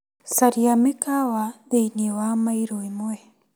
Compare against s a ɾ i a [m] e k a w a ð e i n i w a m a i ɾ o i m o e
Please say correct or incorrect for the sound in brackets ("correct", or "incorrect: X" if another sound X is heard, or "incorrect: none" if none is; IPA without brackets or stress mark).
correct